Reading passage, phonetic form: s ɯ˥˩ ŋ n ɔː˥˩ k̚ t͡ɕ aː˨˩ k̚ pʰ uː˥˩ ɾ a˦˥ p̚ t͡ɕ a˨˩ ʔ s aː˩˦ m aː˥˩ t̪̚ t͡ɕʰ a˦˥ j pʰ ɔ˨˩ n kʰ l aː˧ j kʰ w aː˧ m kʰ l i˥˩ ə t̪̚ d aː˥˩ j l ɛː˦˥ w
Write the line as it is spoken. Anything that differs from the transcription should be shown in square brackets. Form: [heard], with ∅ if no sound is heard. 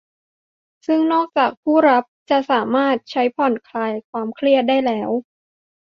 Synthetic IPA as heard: s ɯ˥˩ ŋ n ɔː˥˩ k̚ t͡ɕ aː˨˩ k̚ pʰ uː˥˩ ɾ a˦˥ p̚ t͡ɕ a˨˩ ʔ s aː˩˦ m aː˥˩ t̪̚ t͡ɕʰ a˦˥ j pʰ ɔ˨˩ n kʰ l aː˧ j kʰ w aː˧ m kʰ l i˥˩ ə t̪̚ d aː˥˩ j l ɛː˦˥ w